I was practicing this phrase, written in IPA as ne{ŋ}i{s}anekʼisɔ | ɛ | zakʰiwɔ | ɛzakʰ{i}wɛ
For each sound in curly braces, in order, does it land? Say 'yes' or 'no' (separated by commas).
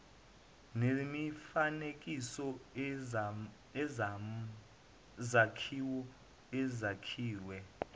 no, no, no